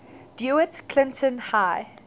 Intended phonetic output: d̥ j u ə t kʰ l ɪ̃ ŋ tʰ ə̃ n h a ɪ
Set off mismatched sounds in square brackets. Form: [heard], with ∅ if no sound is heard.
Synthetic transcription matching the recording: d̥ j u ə t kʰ l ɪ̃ [n] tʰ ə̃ n h a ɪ